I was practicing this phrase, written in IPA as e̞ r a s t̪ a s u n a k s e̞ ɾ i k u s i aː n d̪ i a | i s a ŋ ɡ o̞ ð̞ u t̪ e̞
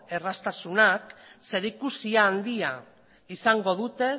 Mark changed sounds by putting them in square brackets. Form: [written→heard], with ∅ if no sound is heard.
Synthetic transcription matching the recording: e̞ r a s t̪ a s u n a k s e̞ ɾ i k u s i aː n d̪ i a | i s a ŋ ɡ o̞ ð̞ u t̪ e̞